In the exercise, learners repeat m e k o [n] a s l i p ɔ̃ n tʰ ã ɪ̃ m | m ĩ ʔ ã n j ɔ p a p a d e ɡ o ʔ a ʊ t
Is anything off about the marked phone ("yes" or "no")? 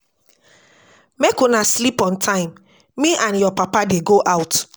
no